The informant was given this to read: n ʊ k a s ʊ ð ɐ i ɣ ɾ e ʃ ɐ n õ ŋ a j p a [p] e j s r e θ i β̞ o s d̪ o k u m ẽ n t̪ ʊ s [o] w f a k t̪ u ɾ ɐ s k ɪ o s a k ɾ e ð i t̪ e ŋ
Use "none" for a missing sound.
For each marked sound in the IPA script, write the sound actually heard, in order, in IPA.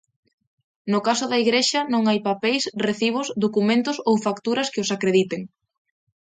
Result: p, o

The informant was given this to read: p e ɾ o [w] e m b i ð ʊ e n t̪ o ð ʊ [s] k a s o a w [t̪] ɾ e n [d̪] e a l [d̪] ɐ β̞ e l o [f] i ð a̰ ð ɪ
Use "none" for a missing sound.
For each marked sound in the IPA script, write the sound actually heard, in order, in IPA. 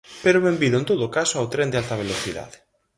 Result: β, none, t̪, d̪, t̪, θ

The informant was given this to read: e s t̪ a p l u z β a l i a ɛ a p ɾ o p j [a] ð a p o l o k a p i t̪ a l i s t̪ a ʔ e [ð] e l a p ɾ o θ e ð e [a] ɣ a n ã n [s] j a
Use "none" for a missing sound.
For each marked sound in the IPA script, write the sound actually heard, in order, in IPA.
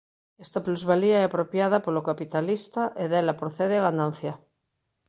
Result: a, ð, a, θ

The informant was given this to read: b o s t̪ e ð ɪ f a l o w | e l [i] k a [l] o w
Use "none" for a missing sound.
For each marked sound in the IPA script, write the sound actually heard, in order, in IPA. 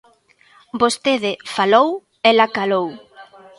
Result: a, l

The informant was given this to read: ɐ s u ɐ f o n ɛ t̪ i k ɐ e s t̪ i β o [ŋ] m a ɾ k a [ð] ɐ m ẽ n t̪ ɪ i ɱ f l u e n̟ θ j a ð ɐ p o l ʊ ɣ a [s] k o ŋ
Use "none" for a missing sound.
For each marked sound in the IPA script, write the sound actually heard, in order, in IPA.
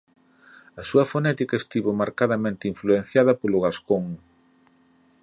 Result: none, ð, s

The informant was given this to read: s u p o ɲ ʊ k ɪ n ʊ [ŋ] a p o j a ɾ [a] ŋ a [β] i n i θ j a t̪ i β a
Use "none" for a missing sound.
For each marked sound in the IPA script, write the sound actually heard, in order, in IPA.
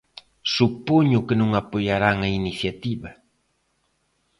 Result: ŋ, a, none

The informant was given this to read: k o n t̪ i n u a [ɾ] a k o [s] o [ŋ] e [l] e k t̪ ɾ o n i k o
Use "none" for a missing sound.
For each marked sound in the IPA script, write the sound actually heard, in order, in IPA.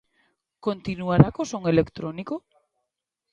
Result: ɾ, s, ŋ, l

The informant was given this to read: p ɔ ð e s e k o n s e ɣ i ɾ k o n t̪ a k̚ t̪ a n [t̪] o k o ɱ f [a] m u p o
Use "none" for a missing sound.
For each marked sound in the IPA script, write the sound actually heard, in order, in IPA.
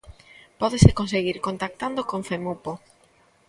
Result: d̪, e

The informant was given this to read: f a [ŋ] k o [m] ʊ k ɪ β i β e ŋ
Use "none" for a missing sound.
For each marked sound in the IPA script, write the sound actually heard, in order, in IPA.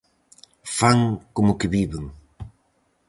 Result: ŋ, m

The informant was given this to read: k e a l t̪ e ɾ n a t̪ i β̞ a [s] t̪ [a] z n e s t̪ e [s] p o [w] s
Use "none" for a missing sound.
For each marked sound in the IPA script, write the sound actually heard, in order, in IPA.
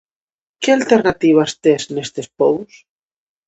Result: s, e, s, w

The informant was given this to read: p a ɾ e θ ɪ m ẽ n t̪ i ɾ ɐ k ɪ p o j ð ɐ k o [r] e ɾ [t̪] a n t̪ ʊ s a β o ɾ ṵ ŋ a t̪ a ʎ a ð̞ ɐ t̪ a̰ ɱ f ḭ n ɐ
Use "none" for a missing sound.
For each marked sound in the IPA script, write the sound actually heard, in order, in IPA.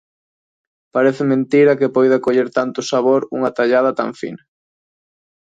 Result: ʎ, t̪

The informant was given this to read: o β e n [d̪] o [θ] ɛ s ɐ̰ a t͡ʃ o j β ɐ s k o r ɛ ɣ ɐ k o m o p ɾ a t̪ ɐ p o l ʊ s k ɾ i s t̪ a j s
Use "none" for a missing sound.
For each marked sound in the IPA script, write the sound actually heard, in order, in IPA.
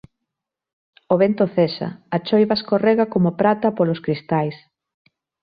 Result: t̪, θ

